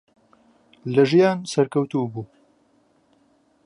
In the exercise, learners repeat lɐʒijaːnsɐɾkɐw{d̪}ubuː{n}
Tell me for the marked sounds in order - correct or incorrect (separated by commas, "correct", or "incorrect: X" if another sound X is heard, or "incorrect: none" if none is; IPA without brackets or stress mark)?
incorrect: t̪, incorrect: none